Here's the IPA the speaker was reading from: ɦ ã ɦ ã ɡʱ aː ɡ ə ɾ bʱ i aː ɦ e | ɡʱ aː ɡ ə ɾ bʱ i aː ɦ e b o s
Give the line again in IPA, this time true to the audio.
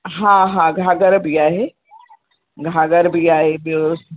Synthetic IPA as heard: ɦ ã ɦ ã ɡʱ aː ɡ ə ɾ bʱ i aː ɦ e | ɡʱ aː ɡ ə ɾ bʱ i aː ɦ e b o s